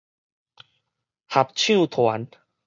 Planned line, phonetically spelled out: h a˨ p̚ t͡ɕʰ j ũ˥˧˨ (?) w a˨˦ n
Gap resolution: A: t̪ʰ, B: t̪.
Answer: A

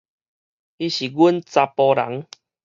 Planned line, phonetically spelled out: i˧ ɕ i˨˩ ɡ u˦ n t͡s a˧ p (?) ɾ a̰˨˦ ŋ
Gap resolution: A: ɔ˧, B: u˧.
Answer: A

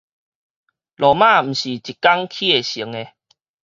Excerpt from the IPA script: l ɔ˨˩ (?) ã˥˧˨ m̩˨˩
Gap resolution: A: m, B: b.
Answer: A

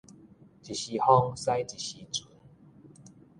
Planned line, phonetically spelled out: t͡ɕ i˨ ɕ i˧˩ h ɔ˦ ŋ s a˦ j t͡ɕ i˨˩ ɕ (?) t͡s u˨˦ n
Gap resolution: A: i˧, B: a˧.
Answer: A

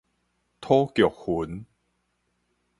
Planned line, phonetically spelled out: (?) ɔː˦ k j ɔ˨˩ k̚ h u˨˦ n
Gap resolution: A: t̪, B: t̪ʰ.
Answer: B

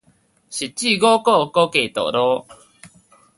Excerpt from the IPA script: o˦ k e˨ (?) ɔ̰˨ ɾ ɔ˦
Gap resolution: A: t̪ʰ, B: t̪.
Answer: B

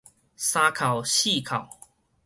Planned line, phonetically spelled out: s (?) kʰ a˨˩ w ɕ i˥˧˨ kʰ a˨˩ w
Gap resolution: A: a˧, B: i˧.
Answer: A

